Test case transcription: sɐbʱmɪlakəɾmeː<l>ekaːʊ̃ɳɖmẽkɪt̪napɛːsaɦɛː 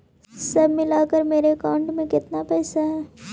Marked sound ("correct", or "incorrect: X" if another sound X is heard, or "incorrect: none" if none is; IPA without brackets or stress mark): incorrect: ɾ